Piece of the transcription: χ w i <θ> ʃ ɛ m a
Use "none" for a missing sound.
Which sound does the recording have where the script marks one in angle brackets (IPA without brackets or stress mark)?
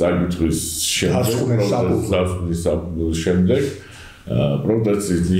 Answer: s